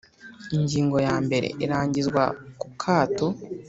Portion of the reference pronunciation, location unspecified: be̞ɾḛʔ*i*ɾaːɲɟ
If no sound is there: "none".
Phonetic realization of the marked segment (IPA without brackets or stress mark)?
i